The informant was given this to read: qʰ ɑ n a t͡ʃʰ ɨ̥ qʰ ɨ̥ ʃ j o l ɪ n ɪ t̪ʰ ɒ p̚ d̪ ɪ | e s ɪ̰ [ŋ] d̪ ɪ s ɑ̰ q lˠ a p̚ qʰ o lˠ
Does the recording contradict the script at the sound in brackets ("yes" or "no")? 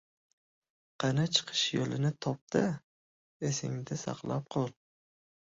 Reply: no